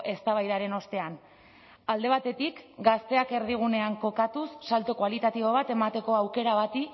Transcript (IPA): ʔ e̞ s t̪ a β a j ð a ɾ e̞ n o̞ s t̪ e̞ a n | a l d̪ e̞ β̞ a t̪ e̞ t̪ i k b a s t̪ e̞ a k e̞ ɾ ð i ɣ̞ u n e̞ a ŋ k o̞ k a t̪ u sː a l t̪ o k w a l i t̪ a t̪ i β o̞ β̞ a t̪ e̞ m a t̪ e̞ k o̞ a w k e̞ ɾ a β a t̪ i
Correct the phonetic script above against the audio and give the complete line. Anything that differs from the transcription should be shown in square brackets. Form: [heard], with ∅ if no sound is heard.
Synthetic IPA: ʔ e̞ s t̪ a β a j ð a ɾ e̞ n o̞ s t̪ e̞ a n | a l d̪ e̞ β̞ a t̪ e̞ t̪ i k [ɡ] a s t̪ e̞ a k e̞ ɾ ð i ɣ̞ u n e̞ a ŋ k o̞ k a t̪ u sː a l t̪ o k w a l i t̪ a t̪ i β o̞ β̞ a t̪ e̞ m a t̪ e̞ k o̞ a w k e̞ ɾ a β a t̪ i